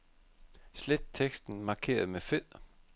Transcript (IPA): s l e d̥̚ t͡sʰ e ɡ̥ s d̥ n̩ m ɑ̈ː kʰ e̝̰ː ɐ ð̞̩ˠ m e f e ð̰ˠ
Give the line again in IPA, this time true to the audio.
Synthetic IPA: s l e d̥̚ t͡sʰ e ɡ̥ s d̥ n̩ m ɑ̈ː kʰ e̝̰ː ɐ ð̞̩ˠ m e f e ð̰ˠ